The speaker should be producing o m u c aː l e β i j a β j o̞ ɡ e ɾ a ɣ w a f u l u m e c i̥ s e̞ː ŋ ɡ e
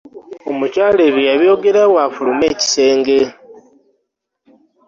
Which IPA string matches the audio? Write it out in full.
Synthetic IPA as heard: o m u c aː l e β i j a β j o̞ ɡ e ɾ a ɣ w a f u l u m e c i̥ s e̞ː ŋ ɡ e